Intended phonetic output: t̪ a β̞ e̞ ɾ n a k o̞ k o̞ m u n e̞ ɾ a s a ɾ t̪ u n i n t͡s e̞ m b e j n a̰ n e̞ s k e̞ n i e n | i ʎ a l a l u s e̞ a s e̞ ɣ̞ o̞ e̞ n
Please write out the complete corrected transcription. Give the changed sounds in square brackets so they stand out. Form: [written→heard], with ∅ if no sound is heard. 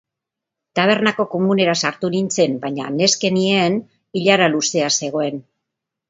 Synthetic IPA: t̪ a β̞ e̞ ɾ n a k o̞ k o̞ m u n e̞ ɾ a s a ɾ t̪ u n i n t͡s e̞ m b [e→a] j [n→ɲ] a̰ n e̞ s k e̞ n i e n | i ʎ a [l→ɾ] a l u s e̞ a s e̞ ɣ̞ o̞ e̞ n